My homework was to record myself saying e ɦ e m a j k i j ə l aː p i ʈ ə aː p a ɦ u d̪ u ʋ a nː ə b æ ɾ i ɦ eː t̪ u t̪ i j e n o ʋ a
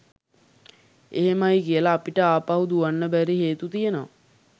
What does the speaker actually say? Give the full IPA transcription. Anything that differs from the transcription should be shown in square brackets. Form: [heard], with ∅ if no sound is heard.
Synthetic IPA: e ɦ e m a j k i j ə l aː p i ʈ ə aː p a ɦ u d̪ u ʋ a nː ə b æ ɾ i ɦ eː t̪ u t̪ i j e n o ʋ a